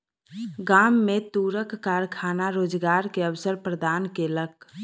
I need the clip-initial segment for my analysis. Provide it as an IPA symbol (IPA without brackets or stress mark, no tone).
ɡ